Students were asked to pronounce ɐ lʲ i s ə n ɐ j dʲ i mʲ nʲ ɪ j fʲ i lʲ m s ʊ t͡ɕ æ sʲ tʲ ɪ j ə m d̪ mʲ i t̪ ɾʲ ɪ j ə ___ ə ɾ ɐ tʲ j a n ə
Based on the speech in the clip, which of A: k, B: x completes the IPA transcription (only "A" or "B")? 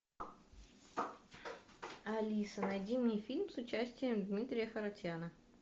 B